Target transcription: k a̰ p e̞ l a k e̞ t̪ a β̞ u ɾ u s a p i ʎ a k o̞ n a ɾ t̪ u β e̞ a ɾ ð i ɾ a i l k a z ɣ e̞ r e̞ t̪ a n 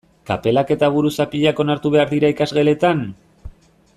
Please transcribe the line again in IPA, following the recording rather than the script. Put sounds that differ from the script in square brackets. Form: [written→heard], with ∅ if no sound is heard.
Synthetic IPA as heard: k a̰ p e̞ l a k e̞ t̪ a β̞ u ɾ u s a p i ʎ a k o̞ n a ɾ t̪ u β e̞ a ɾ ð i ɾ a i [l→∅] k a z ɣ e̞ [r→l] e̞ t̪ a n